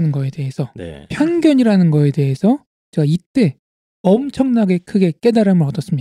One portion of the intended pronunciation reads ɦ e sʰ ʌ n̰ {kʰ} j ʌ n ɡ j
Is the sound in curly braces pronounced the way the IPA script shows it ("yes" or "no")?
no